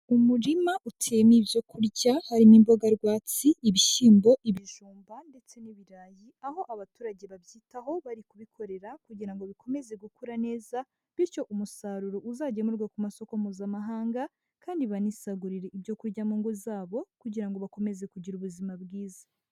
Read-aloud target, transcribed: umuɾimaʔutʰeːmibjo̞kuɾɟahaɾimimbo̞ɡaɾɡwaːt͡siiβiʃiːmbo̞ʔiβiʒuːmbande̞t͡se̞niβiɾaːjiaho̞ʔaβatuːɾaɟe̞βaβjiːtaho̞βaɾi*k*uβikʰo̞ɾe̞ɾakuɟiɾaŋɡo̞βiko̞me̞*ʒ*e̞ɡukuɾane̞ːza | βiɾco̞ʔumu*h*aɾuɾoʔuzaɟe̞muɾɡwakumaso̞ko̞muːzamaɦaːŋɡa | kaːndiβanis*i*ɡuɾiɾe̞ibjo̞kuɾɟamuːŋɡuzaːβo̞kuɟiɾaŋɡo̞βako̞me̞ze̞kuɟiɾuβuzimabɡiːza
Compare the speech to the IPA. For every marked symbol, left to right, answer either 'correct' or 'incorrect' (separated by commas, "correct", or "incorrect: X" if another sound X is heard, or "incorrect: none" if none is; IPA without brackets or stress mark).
correct, incorrect: z, incorrect: s, incorrect: a